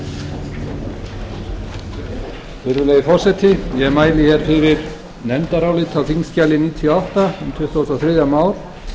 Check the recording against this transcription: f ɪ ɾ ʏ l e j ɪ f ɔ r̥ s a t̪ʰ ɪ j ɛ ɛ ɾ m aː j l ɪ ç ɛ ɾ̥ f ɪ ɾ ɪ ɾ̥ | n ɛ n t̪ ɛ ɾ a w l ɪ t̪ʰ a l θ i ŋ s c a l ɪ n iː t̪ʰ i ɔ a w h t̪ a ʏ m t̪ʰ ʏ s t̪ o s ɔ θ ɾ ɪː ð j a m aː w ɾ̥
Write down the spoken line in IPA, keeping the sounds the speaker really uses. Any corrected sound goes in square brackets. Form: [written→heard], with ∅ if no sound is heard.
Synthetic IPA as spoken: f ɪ ɾ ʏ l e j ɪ f ɔ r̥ s [a→ɛ] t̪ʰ ɪ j ɛ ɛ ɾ m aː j l ɪ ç ɛ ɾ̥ f ɪ ɾ ɪ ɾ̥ | n ɛ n t̪ [ɛ→a] ɾ a w l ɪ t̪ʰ a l θ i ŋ s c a l ɪ n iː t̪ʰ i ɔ a w h t̪ a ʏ m t̪ʰ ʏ [s→h] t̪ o s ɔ θ ɾ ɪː ð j a m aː w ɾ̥